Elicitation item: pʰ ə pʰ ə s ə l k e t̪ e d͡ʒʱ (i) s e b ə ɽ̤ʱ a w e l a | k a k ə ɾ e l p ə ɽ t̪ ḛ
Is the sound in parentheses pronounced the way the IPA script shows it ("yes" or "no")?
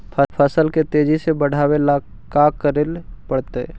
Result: yes